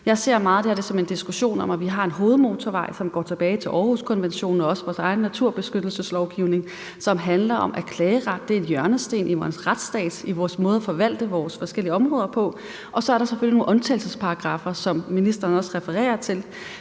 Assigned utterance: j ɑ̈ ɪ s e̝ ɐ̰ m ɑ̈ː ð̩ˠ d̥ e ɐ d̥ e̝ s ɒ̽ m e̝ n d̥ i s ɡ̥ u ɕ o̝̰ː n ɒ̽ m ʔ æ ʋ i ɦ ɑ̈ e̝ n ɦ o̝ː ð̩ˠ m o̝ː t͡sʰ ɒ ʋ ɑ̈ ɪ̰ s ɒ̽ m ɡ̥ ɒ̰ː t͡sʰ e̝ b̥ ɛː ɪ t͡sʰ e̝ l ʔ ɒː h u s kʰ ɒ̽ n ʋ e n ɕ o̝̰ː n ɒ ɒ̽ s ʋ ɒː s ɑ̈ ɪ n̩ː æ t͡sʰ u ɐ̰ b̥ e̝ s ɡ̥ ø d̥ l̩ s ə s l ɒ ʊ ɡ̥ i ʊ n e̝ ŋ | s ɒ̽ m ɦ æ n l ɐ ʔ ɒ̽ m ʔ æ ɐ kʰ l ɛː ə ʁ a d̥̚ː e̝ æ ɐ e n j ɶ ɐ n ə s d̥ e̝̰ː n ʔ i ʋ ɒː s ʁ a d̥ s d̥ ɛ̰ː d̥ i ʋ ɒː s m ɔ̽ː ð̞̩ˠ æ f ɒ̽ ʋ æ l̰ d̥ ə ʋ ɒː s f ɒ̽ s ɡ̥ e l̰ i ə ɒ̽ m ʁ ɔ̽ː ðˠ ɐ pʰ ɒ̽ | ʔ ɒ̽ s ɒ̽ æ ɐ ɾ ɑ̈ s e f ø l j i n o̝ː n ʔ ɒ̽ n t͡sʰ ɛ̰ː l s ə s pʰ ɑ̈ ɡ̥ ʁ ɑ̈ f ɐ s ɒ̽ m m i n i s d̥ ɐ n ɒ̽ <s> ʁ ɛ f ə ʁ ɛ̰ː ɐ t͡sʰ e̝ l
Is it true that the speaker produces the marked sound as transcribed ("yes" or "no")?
yes